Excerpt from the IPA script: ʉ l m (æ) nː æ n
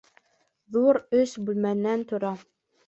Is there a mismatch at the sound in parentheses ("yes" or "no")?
no